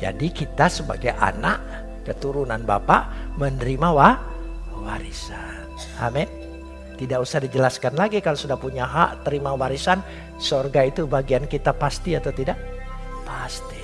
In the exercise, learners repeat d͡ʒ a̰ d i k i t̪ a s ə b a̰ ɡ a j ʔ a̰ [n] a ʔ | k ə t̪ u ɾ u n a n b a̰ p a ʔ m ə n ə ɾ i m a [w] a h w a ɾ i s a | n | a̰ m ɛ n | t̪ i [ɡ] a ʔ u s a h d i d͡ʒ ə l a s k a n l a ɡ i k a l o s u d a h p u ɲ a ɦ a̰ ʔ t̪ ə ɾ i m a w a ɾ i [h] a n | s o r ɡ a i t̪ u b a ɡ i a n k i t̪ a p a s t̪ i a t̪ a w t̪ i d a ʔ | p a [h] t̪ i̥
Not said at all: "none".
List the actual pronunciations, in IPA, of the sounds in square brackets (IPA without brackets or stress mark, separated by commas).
n, w, d, s, s